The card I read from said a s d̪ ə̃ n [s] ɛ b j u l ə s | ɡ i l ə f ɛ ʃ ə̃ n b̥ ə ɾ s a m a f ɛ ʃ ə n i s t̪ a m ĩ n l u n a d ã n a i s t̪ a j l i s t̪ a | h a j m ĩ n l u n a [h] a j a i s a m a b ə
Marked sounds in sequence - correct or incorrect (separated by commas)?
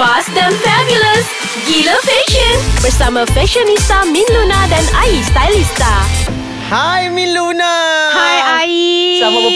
incorrect, correct